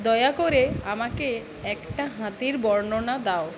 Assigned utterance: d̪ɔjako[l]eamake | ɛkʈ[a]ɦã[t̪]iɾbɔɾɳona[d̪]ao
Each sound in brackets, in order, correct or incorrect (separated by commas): incorrect, correct, correct, correct